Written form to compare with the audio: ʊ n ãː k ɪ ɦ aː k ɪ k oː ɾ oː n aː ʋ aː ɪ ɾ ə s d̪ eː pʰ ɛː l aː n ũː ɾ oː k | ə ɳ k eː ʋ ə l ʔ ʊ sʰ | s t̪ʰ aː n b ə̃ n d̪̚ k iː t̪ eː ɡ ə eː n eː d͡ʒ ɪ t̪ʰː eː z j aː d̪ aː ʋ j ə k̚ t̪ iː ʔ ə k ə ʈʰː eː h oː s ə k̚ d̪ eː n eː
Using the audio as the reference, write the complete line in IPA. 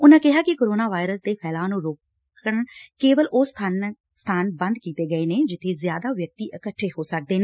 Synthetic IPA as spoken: ʊ n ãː k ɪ ɦ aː k ɪ k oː ɾ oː n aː ʋ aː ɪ ɾ ə s d̪ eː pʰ ɛː l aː n ũː ɾ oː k | ə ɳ k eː ʋ ə l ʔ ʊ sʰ | s t̪ʰ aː n b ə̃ n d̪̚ k iː t̪ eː ɡ ə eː n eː d͡ʒ ɪ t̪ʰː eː z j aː d̪ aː ʋ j ə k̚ t̪ iː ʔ ə k ə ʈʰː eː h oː s ə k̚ d̪ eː n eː